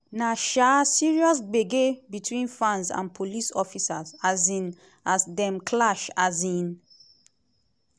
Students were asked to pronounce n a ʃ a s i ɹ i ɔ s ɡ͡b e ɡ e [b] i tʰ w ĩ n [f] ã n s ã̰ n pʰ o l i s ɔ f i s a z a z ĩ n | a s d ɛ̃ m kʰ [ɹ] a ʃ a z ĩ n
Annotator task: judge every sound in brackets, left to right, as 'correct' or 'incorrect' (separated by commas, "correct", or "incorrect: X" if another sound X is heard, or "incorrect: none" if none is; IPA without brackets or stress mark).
correct, correct, incorrect: l